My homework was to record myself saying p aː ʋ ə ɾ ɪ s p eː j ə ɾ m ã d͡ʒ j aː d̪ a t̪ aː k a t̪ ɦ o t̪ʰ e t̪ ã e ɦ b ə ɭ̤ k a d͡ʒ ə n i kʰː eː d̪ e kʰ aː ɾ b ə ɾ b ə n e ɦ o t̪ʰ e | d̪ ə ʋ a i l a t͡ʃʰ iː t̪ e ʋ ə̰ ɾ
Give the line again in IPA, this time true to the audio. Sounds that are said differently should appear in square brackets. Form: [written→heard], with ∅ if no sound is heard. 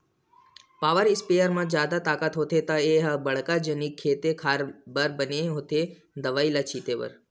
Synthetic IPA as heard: p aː ʋ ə ɾ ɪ s p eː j ə ɾ m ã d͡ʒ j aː d̪ a t̪ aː k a t̪ ɦ o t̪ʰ e t̪ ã e ɦ b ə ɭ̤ k a d͡ʒ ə n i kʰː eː [d̪→t̪] e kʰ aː ɾ b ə ɾ b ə n e ɦ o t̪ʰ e | d̪ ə ʋ a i l a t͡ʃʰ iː t̪ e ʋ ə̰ ɾ